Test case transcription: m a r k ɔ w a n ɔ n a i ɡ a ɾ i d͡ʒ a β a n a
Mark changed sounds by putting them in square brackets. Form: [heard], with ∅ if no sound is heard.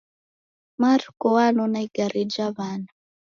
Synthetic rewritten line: m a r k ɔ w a n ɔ n a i ɡ a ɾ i d͡ʒ a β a n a